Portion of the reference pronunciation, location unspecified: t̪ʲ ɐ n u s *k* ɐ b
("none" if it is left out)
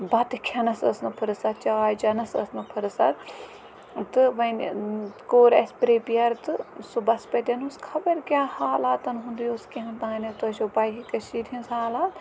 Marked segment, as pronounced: kʰ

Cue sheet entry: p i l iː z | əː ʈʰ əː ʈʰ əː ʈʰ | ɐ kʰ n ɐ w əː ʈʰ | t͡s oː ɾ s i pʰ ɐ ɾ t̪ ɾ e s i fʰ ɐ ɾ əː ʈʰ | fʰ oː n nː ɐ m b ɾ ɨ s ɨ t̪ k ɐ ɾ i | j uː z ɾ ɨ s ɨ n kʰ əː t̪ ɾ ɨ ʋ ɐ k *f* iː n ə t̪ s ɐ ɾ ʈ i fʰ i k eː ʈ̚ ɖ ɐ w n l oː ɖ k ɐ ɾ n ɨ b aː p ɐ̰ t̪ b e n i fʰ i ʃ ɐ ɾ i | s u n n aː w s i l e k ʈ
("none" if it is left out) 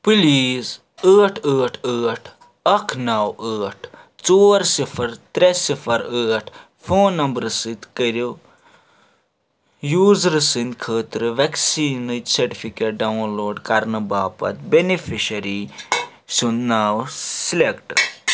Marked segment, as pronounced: s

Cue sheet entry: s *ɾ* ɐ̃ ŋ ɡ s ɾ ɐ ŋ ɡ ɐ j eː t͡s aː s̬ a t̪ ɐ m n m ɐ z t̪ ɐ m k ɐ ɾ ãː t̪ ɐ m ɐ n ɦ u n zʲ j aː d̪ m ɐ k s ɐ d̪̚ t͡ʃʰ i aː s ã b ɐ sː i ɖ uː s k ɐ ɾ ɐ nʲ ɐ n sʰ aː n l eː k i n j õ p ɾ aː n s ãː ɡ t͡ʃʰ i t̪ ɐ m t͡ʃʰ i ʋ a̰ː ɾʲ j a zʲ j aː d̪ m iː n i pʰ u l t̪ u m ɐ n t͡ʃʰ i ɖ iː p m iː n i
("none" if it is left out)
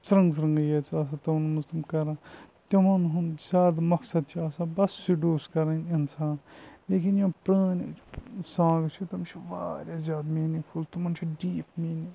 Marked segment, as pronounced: ɾ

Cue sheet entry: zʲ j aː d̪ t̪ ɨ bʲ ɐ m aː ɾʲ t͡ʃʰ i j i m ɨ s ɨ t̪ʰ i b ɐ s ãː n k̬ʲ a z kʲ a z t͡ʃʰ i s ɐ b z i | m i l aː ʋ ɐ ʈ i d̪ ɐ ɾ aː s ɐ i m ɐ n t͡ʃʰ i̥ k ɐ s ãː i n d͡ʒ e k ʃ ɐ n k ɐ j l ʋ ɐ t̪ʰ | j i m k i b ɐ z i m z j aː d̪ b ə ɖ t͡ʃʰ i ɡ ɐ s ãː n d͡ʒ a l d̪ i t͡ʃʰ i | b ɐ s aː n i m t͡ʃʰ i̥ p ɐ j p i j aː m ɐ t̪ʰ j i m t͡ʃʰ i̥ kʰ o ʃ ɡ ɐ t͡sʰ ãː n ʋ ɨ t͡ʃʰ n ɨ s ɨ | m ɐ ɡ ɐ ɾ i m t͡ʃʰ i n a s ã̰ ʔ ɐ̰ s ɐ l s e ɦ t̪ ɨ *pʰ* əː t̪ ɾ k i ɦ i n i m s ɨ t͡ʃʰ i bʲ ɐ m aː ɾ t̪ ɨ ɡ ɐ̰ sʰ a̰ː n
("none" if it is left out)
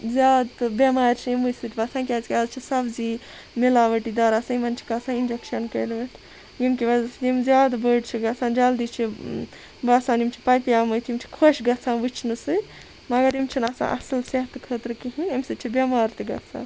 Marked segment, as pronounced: kʰ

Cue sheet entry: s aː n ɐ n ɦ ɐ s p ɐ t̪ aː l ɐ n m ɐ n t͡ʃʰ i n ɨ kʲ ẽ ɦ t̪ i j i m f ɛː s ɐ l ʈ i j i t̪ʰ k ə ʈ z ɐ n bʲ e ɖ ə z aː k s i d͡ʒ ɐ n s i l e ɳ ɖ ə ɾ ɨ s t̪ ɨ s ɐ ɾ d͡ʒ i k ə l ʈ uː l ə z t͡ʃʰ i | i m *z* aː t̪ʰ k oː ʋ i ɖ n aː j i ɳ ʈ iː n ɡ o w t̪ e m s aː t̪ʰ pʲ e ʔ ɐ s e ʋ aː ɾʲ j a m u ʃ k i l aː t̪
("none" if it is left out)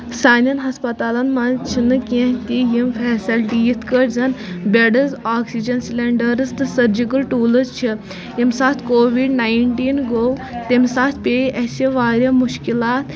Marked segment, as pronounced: s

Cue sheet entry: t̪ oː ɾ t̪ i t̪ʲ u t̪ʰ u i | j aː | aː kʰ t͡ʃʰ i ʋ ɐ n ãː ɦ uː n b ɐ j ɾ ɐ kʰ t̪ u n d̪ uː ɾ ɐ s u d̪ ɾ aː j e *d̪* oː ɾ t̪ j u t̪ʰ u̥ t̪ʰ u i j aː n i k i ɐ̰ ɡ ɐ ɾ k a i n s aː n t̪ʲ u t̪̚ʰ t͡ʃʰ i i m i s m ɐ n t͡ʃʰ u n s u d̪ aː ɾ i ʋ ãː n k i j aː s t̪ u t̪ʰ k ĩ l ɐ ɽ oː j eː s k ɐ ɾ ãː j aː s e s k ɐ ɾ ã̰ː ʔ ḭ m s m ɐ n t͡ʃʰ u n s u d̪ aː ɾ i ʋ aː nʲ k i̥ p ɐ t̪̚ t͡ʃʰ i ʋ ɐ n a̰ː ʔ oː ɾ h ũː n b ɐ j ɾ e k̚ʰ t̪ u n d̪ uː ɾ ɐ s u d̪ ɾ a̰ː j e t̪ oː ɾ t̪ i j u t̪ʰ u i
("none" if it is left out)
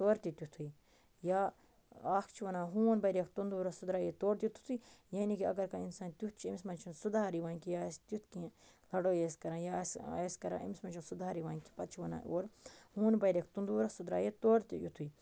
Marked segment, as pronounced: t̪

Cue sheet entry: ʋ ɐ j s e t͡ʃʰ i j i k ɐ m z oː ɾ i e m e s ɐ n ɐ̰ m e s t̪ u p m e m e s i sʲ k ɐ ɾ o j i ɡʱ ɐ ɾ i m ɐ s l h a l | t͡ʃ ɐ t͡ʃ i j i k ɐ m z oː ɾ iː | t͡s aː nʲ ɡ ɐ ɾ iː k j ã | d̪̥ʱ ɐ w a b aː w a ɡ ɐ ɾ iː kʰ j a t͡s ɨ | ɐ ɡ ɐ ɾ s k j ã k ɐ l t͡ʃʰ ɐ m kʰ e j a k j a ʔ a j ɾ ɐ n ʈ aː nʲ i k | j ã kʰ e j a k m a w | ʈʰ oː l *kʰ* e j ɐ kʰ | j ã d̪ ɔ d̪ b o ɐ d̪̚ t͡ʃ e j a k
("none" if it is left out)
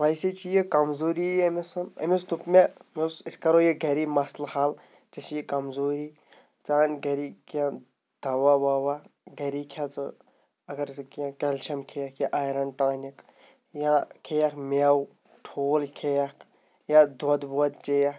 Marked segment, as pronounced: kʰ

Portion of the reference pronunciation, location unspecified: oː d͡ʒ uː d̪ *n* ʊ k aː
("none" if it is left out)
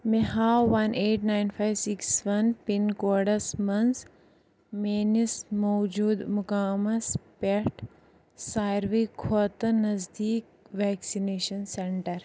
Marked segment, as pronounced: m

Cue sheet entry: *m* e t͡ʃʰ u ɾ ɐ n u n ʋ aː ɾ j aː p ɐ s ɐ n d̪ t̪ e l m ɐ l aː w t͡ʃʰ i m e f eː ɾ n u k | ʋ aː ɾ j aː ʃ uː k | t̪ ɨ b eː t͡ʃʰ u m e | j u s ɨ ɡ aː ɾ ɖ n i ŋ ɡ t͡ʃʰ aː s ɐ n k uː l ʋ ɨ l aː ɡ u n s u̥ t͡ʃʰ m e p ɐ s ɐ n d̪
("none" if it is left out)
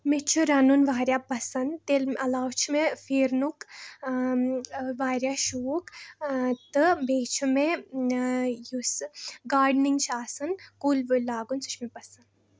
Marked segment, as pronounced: m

